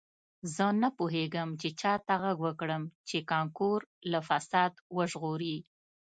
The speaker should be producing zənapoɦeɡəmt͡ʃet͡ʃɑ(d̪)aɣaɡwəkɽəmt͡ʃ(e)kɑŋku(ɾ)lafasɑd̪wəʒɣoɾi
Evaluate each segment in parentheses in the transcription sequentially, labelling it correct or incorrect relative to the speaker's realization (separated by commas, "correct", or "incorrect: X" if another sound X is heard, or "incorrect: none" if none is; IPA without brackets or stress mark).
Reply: incorrect: t̪, correct, correct